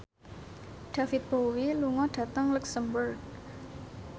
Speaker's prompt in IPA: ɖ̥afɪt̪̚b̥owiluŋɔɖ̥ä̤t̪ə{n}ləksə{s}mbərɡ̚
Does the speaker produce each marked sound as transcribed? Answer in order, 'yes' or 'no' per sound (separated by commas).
no, no